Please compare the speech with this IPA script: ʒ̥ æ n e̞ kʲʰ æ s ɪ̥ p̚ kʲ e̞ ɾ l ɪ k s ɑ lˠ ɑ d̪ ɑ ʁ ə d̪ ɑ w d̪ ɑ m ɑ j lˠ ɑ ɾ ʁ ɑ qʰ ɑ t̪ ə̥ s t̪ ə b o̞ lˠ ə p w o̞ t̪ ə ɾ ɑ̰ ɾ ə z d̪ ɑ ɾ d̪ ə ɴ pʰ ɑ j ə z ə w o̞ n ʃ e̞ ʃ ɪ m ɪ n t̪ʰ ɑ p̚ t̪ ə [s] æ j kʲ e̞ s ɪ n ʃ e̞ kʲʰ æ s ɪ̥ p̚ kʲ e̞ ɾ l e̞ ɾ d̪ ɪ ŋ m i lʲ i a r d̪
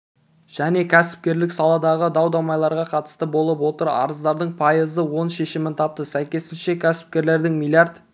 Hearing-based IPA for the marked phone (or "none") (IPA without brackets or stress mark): s